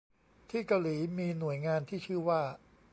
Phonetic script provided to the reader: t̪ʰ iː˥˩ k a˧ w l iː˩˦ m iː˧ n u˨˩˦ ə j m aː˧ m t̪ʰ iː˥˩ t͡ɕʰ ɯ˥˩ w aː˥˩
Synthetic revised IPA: t̪ʰ iː˥˩ k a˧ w l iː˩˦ m iː˧ n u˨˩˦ ə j ŋ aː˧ n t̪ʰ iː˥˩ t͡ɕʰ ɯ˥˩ w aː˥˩